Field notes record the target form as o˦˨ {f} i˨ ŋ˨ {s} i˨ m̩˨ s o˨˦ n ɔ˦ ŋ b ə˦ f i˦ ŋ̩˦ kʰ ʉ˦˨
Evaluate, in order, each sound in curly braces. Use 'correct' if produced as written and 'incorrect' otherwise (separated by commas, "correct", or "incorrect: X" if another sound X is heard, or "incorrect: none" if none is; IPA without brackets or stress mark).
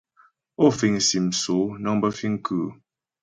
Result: correct, correct